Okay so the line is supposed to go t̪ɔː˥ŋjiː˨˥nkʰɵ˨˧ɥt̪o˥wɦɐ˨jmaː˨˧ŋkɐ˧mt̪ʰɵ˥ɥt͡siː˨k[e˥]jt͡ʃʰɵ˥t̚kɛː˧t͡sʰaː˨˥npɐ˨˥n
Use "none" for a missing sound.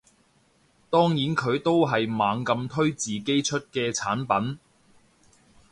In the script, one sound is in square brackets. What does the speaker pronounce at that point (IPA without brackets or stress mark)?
e˥